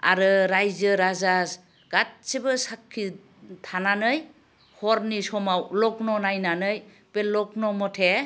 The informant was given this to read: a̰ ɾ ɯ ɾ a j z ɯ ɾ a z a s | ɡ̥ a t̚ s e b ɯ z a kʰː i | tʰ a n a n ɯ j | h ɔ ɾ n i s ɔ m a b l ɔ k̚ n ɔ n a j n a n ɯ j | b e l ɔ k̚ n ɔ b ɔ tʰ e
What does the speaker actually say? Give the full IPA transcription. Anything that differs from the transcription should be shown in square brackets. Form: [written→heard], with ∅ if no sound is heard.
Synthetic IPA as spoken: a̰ ɾ ɯ ɾ a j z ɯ ɾ a z a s | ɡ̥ a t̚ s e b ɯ [z→s] a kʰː i | tʰ a n a n ɯ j | h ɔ ɾ n i s ɔ m a [b→w] l ɔ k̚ n ɔ n a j n a n ɯ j | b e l ɔ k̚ n ɔ [b→m] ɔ tʰ e